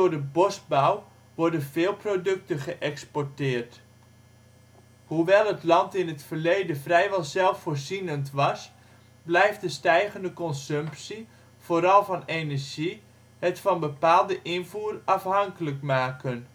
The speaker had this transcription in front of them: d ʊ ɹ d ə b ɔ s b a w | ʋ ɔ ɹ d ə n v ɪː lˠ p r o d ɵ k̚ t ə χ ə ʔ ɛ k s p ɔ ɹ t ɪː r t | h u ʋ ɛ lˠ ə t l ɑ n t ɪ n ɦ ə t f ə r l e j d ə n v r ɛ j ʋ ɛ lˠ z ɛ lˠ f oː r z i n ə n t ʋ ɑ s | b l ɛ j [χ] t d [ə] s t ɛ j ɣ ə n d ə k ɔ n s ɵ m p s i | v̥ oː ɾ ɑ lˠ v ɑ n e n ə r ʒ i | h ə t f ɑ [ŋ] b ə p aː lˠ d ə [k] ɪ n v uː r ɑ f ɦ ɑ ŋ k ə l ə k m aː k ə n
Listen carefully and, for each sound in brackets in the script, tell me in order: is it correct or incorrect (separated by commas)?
incorrect, correct, incorrect, incorrect